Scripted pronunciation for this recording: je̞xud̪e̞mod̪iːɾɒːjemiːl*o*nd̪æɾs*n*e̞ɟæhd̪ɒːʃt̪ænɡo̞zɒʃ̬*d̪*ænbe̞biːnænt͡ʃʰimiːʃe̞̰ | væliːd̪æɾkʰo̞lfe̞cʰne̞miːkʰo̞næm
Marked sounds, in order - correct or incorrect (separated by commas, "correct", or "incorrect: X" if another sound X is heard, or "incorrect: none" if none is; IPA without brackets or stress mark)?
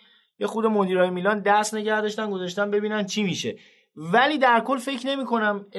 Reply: incorrect: ɒ, correct, incorrect: t̪